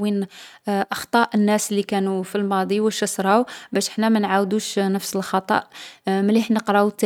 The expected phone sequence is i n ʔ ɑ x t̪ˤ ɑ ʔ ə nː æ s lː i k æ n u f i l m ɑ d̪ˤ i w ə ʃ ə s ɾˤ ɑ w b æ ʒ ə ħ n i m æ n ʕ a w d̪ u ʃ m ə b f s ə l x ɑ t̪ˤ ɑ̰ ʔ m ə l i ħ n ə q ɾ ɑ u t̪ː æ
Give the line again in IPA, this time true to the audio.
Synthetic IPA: i n ʔ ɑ x t̪ˤ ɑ ʔ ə nː æ s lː i k æ n u f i l m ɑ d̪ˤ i w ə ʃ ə s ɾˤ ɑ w b æ ʃ ə ħ n æ m æ n ʕ a w d̪ u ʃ n ə f s ə l x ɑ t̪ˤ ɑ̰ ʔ m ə l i ħ n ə q ɾ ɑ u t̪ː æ